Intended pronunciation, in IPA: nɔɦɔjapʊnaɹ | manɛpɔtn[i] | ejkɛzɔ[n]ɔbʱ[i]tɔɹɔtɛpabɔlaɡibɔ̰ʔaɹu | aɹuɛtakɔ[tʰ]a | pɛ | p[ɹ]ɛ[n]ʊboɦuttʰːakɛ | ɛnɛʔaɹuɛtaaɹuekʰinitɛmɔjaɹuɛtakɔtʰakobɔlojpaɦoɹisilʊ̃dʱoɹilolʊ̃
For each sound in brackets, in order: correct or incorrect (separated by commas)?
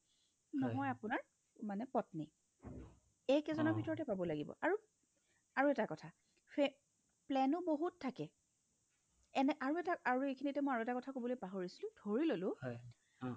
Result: correct, correct, correct, correct, incorrect, correct